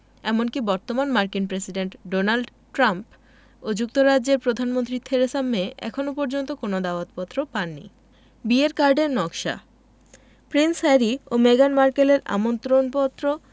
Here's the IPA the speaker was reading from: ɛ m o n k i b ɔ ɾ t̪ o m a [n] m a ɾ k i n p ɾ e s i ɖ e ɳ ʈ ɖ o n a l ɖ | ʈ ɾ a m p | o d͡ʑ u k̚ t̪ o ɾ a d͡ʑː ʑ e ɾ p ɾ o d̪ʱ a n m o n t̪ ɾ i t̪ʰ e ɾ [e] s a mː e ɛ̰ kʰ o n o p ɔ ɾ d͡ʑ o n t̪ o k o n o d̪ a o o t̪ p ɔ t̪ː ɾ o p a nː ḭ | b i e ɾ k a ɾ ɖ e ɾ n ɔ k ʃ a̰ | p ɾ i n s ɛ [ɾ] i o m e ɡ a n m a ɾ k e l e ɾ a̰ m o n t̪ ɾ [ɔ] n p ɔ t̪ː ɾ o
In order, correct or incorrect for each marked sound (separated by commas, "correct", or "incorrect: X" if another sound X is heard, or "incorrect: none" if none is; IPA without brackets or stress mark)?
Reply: correct, correct, correct, incorrect: o